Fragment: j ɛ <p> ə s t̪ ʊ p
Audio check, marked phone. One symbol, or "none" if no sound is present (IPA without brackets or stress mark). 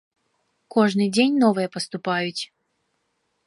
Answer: p